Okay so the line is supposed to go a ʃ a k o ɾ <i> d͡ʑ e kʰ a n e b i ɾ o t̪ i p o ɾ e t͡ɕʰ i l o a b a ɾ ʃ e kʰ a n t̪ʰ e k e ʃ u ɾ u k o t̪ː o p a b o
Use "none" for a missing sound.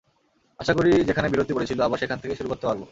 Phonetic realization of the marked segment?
i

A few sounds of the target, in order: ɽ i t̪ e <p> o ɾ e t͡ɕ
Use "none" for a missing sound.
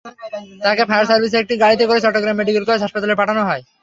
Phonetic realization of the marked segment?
k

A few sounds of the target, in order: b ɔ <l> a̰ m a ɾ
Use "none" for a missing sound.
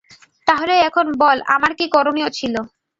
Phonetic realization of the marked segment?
l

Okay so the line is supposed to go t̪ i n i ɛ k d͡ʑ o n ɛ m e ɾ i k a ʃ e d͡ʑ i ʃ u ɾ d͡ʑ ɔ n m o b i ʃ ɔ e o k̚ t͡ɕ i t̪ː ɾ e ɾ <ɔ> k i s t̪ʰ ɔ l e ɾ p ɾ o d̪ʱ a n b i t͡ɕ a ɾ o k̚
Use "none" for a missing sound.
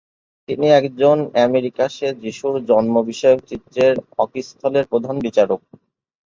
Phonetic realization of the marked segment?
ɔ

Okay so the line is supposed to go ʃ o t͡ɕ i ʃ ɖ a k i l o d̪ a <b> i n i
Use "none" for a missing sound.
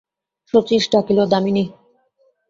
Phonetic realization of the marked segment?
m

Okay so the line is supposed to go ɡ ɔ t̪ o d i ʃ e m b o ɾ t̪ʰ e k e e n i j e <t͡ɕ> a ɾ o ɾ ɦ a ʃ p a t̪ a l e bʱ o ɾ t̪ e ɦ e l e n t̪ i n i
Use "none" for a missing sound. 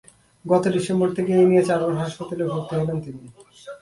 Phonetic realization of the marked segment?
t͡ɕ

